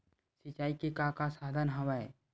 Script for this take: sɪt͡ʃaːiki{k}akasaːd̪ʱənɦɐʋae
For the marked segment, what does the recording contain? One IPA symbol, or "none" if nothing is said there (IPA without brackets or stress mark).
k